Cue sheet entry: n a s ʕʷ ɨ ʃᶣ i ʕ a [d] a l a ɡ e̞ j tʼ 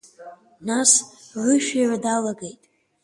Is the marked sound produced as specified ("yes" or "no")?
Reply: yes